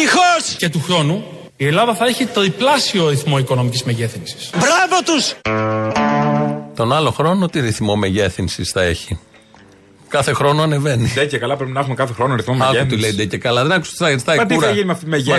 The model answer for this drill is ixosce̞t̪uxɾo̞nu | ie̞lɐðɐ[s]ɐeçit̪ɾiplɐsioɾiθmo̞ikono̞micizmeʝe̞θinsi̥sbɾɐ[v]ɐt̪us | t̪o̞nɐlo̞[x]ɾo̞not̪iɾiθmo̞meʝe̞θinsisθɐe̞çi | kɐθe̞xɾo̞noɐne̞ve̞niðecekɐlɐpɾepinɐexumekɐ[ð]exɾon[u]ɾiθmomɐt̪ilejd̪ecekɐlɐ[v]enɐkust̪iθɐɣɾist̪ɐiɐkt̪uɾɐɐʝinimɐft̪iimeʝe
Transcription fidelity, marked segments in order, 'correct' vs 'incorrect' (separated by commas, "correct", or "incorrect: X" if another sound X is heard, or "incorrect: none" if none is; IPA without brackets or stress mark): incorrect: θ, correct, correct, incorrect: θ, incorrect: o, incorrect: ð